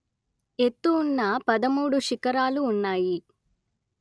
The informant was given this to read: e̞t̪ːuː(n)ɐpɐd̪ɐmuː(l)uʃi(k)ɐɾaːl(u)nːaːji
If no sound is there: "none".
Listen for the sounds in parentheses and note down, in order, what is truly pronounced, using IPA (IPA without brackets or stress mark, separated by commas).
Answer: nː, ɽ, k, uː